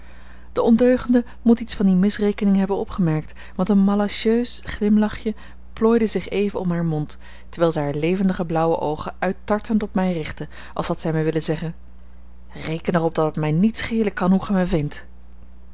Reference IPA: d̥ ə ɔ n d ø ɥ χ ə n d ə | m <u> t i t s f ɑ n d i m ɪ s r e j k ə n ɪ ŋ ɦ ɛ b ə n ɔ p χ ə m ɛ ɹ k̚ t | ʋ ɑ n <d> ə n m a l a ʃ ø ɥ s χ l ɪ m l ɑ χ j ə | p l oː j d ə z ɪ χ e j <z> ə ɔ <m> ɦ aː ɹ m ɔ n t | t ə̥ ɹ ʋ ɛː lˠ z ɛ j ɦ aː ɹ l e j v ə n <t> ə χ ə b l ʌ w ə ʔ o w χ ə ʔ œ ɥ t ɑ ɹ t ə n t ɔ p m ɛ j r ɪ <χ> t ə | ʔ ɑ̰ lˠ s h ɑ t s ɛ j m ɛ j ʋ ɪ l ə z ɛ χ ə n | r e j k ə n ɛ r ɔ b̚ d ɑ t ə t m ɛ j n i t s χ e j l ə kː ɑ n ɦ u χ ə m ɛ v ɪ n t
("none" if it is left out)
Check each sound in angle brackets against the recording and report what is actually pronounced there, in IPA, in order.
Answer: u, t, v, m, d, χ

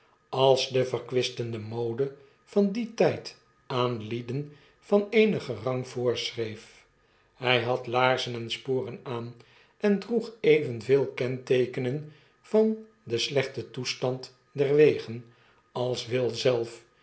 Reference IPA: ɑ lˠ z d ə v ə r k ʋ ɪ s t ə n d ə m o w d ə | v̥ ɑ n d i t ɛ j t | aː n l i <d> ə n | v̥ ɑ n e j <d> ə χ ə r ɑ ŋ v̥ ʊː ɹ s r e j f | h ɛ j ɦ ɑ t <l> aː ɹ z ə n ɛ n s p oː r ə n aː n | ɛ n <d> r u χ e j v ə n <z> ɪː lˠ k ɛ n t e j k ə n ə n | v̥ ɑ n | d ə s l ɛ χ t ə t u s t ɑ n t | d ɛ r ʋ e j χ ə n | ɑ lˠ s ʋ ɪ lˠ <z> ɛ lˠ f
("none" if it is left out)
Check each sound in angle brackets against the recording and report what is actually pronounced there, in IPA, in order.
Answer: d, n, l, d, v, z

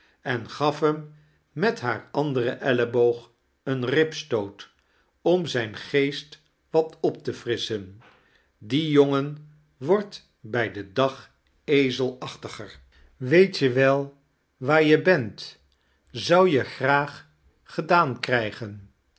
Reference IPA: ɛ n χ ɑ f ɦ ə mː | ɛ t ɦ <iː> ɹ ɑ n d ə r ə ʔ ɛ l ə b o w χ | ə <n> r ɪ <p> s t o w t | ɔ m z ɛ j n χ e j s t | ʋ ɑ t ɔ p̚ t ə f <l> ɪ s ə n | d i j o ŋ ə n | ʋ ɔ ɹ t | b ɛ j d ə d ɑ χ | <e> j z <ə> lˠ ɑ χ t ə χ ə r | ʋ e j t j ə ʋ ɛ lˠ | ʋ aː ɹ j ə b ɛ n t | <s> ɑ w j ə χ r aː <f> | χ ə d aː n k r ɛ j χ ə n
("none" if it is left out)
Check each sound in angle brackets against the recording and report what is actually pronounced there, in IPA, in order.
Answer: aː, n, p, r, e, ə, z, χ

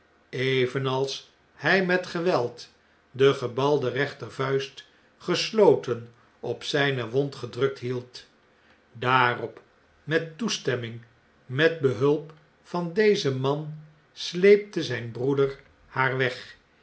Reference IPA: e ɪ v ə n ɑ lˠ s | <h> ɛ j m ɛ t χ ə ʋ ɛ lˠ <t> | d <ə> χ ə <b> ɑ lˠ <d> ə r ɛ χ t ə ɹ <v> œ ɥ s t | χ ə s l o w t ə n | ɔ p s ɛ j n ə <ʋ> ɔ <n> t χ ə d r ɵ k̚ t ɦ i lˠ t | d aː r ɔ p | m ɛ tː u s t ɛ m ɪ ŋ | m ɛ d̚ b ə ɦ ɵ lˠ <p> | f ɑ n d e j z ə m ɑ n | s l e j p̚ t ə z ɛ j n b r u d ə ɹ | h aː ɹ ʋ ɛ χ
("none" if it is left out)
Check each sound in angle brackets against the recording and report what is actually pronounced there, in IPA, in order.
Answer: h, t, ə, b, d, v, ʋ, n, p

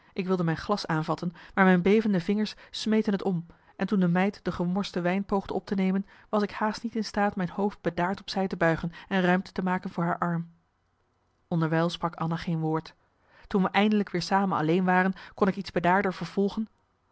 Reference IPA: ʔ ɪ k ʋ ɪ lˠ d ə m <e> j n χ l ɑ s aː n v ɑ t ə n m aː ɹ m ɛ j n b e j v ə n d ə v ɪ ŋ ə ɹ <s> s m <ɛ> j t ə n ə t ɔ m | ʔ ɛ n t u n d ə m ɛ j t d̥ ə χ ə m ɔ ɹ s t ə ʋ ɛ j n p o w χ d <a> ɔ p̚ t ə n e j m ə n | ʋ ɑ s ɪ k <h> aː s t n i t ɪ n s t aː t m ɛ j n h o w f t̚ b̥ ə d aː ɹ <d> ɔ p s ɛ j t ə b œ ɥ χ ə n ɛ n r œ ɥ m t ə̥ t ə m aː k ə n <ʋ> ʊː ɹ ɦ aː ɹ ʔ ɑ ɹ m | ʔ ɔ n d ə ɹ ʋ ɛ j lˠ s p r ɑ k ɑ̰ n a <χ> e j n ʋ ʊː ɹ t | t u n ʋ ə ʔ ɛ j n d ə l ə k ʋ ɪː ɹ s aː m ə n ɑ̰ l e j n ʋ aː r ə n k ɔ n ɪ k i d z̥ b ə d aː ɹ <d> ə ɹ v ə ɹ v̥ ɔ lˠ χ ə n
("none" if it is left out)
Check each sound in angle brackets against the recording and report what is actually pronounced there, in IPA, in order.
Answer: ɛ, s, e, ə, h, t, v, χ, d

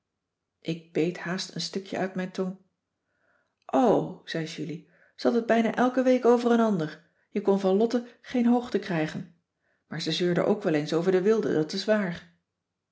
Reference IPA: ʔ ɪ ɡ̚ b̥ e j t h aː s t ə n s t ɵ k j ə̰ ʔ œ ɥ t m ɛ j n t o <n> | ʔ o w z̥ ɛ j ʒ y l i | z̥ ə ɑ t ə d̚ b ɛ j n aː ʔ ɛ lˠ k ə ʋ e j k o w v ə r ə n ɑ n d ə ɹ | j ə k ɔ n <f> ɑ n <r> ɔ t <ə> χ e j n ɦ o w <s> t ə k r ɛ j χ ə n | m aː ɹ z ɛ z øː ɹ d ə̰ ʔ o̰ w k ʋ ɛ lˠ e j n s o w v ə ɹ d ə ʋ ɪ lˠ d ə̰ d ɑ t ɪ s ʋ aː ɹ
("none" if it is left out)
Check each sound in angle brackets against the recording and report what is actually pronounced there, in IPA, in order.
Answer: n, v, l, ə, χ

